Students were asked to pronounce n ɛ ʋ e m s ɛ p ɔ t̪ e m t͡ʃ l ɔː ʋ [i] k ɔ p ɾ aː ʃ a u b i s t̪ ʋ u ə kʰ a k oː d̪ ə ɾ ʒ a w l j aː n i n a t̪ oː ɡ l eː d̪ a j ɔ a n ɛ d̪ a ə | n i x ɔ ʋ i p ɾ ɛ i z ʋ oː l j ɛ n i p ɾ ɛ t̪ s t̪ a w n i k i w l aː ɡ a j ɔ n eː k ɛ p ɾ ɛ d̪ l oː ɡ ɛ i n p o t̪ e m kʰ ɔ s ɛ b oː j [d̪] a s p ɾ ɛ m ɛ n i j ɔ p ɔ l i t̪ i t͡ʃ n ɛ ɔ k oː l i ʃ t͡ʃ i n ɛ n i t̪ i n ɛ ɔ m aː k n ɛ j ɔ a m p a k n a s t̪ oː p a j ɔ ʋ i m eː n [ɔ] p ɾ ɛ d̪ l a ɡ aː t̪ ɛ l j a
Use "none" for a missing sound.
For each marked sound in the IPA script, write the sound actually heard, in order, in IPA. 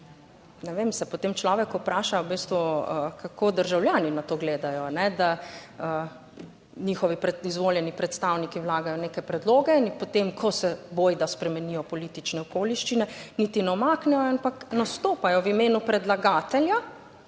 ɛ, d̪, u

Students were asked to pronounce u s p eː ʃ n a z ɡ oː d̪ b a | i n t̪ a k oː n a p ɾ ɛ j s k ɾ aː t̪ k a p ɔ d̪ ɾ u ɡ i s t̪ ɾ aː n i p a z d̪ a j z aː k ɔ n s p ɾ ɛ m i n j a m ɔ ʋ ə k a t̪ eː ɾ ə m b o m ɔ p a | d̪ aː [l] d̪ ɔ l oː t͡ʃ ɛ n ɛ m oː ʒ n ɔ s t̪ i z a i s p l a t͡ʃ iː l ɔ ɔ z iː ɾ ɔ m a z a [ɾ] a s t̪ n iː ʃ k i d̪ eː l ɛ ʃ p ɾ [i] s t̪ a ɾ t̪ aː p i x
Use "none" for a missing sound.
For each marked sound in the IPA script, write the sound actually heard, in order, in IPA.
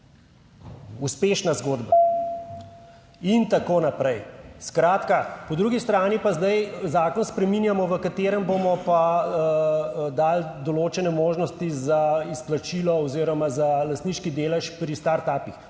l, l, i

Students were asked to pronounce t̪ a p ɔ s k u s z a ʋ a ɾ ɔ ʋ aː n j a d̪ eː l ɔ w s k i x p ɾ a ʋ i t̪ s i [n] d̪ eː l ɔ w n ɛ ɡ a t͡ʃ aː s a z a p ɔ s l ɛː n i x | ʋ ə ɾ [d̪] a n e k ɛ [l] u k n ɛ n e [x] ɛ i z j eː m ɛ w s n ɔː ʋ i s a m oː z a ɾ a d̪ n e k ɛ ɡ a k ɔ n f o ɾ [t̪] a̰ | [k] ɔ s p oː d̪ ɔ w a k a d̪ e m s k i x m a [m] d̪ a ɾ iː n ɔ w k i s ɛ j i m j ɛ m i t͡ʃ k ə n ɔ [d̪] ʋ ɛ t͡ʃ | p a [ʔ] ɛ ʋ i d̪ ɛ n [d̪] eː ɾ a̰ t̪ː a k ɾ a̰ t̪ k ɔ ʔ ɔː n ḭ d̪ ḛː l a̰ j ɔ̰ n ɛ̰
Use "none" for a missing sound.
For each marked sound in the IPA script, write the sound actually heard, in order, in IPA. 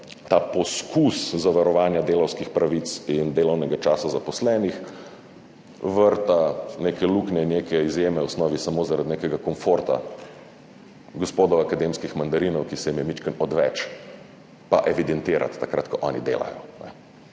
n, t̪, l, k, t̪, ɡ, n, d̪, ʔ, t̪

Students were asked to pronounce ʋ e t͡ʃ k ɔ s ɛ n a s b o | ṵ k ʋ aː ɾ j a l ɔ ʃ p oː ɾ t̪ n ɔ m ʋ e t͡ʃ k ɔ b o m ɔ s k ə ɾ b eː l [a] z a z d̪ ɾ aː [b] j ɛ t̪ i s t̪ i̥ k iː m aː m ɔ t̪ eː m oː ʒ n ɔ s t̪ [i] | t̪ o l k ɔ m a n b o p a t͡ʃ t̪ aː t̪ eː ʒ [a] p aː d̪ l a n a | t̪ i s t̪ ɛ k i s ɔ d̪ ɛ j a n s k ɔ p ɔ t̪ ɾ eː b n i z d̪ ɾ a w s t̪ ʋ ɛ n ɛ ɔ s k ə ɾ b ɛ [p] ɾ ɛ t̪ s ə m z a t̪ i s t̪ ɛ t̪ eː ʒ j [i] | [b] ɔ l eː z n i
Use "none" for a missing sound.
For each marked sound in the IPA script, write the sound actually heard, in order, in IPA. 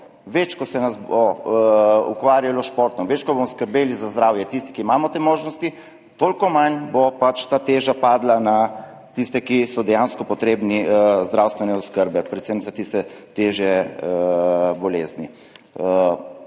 i, w, i, a, p, ɛ, b

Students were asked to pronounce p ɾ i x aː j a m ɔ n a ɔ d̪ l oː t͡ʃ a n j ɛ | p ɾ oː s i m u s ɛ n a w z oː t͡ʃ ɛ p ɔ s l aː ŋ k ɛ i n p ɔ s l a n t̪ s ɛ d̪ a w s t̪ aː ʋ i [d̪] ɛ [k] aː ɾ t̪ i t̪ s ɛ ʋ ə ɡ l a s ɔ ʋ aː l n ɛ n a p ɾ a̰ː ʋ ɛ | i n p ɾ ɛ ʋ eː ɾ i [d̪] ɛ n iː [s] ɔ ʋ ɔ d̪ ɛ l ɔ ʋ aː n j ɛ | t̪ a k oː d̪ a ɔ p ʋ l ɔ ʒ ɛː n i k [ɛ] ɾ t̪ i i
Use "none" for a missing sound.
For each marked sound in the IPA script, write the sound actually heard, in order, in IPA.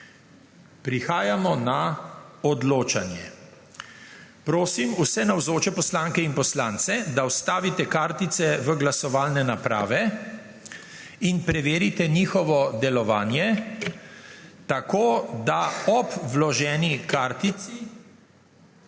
t̪, k, t̪, x, a

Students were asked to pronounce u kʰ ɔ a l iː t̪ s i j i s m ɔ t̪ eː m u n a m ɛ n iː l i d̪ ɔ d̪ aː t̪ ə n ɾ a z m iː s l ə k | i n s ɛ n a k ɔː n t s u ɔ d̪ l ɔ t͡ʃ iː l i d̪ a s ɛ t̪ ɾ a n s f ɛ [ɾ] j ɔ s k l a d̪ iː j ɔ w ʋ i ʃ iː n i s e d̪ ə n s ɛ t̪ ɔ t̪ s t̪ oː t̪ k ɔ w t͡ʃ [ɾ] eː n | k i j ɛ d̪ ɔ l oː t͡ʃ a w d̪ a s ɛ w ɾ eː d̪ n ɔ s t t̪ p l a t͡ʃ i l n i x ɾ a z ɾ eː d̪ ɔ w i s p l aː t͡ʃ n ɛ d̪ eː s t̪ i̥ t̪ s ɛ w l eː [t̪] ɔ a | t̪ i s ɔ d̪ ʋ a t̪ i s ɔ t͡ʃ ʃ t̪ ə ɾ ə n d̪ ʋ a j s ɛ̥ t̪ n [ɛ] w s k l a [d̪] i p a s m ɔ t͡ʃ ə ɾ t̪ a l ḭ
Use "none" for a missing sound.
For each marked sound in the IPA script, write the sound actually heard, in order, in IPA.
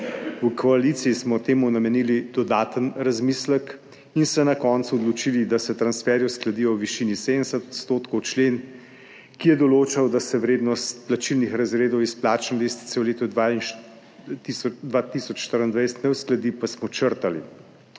ɾ, l, t̪, ɛ, d̪

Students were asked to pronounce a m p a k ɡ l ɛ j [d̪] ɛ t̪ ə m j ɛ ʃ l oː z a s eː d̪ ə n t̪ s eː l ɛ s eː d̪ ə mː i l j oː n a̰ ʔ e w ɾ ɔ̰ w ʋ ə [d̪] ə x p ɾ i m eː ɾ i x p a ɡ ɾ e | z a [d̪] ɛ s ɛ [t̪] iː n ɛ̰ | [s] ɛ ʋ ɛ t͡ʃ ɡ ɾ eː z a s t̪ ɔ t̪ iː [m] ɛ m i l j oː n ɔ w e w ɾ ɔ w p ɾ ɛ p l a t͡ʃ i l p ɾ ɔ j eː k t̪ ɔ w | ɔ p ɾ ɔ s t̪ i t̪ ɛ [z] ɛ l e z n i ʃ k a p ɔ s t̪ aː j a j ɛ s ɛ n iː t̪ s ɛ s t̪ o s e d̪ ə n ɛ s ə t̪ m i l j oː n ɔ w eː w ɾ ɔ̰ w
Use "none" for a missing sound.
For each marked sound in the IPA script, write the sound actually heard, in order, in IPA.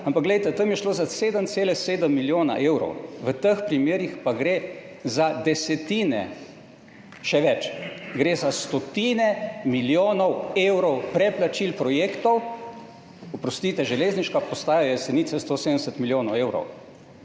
t̪, t̪, d̪, t̪, ʃ, n, ʒ

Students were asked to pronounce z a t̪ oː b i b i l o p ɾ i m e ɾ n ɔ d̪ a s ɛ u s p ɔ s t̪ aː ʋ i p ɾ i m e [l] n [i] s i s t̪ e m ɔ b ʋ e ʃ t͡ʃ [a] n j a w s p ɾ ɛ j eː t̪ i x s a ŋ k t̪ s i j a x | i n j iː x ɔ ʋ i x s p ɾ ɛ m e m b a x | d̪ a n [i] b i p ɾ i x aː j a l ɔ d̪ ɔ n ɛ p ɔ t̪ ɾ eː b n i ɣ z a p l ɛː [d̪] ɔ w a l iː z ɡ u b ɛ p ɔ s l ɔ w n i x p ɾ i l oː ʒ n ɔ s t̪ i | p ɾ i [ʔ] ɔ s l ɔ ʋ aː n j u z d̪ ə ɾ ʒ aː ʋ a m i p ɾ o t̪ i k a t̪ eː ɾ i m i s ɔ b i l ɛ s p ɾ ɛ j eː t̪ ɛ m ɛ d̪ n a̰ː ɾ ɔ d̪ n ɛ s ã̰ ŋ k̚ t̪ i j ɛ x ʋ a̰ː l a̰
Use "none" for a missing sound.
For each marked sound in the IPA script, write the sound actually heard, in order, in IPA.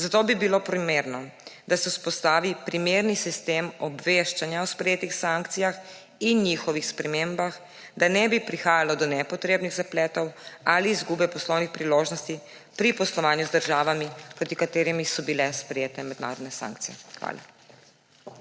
ɾ, i, a, ɛ, t̪, p

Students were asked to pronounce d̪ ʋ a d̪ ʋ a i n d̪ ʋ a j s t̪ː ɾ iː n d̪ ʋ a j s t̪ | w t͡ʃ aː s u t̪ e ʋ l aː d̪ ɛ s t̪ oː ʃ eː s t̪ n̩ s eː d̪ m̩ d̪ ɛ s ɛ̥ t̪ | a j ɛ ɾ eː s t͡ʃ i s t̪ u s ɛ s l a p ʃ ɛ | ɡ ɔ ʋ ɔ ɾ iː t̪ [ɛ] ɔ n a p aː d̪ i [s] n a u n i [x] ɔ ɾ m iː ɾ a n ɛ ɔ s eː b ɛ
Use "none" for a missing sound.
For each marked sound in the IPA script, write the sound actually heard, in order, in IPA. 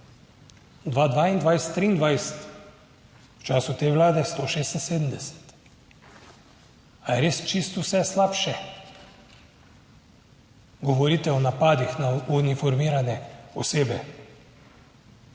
ɛ, x, f

